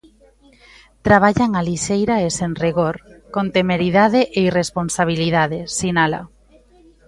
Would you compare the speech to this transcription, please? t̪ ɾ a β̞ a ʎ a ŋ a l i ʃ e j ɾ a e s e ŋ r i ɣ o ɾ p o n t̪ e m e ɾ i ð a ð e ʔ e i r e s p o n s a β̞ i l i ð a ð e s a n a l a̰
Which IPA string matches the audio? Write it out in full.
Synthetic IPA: t̪ ɾ a β̞ a ʎ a ŋ a l i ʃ e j ɾ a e s e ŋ r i ɣ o ɾ k o n t̪ e m e ɾ i ð a ð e ʔ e i r e s p o n s a β̞ i l i ð a ð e s i n a l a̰